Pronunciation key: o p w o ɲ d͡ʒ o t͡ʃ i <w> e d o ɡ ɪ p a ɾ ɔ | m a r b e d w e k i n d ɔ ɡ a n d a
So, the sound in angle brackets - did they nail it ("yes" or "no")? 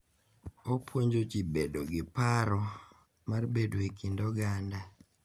no